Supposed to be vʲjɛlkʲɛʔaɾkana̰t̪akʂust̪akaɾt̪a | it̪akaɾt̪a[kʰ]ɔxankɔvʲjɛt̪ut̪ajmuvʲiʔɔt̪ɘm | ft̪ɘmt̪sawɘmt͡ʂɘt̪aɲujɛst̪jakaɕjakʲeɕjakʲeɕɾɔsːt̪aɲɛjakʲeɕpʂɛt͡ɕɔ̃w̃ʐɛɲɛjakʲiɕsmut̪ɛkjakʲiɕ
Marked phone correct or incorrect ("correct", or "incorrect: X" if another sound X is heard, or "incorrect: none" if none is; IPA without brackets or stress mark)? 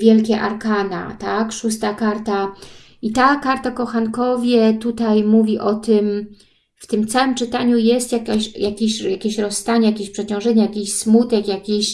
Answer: incorrect: k